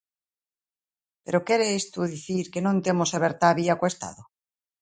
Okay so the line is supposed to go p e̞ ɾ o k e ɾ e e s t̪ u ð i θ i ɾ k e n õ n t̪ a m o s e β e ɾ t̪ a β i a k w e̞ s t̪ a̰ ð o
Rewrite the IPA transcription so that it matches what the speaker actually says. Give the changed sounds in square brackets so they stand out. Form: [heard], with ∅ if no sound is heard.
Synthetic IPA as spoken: p e̞ ɾ o k e ɾ e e s t̪ u ð i θ i ɾ k e n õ n t̪ [e] m o s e β e ɾ t̪ a β i a k w e̞ s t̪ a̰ ð o